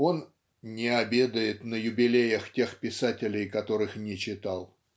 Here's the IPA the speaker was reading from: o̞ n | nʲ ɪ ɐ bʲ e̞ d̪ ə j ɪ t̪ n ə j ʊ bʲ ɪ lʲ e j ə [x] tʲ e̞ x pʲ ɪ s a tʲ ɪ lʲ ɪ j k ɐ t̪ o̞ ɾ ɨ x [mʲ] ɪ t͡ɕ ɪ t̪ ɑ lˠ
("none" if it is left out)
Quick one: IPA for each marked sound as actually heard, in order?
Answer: x, nʲ

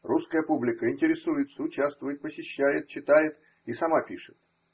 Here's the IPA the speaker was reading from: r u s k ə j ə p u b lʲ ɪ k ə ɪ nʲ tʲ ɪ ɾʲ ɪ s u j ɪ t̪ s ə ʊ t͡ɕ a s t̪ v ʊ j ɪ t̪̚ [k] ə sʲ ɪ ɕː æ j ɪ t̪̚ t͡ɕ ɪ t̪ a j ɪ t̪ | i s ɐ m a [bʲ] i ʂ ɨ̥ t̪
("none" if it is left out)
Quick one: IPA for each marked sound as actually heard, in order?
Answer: p, pʲ

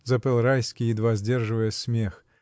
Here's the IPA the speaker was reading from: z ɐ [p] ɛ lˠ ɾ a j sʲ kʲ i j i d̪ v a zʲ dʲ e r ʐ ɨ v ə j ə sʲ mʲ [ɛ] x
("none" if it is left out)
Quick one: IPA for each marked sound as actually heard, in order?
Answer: p, e

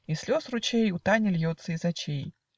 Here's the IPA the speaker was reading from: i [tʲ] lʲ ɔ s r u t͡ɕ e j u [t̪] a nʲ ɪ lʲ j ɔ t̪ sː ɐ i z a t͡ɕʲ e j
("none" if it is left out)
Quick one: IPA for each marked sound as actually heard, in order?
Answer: sʲ, t̪

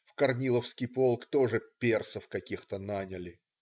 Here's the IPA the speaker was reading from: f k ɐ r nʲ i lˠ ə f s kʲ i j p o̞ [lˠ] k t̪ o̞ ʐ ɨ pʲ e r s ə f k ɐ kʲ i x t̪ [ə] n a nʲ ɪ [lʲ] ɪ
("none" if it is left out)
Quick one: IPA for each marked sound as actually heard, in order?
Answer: lˠ, ə, lʲ

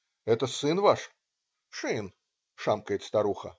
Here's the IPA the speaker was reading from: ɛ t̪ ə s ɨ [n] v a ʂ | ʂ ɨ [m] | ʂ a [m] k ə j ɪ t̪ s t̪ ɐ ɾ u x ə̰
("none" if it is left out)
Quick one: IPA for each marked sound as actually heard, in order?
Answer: n, n, m

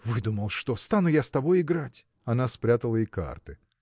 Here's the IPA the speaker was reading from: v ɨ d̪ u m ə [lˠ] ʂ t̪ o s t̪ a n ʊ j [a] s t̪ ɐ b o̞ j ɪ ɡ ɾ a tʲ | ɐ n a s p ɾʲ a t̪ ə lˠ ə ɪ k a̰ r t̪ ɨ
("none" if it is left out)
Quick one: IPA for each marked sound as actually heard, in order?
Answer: lˠ, a

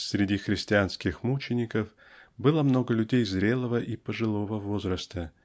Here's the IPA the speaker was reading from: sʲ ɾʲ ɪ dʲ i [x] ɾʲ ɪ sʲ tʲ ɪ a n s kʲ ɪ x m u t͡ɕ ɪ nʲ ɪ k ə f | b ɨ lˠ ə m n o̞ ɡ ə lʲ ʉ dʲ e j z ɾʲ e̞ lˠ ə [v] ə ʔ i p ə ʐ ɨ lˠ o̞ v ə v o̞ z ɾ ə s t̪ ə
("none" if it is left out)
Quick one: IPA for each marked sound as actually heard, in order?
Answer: x, v

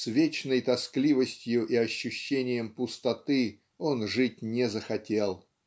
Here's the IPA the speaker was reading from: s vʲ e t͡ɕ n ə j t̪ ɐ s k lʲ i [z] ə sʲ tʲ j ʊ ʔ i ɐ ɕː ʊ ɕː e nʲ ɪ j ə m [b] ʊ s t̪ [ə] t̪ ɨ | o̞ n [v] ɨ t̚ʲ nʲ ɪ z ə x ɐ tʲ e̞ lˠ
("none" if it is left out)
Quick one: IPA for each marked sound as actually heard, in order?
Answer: v, p, ɐ, ʐ

